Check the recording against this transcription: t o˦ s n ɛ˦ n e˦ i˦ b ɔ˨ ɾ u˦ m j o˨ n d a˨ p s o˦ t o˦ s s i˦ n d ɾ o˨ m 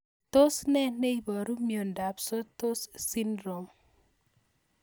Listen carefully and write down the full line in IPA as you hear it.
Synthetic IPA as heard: t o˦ s n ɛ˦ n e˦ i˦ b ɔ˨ ɾ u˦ m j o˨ n d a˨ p s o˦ t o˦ s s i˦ n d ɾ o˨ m